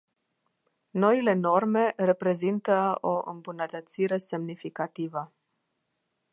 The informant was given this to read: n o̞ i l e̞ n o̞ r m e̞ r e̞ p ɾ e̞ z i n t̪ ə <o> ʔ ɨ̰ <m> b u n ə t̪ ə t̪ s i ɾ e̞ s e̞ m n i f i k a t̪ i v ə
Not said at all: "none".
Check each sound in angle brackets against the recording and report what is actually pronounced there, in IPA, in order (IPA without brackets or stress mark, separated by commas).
o, m